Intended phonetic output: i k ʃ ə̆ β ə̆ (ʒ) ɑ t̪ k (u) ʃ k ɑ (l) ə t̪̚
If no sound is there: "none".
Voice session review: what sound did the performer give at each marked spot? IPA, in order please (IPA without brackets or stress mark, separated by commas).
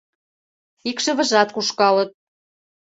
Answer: ʒ, u, l